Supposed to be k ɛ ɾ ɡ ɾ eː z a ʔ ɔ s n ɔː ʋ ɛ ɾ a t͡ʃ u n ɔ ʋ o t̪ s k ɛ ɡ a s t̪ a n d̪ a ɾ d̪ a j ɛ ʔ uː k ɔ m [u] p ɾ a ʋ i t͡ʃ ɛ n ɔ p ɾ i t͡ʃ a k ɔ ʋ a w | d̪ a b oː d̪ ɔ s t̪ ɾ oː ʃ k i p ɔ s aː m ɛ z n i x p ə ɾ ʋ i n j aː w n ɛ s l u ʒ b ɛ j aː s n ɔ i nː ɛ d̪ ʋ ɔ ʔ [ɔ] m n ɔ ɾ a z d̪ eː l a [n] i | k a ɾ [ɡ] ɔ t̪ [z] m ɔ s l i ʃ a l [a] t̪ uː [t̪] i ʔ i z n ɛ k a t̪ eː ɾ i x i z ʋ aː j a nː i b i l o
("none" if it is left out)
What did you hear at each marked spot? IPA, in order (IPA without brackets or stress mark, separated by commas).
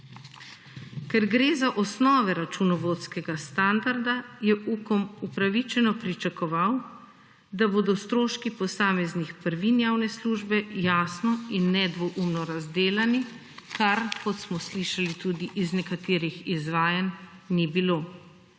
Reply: u, u, n, k, s, i, d̪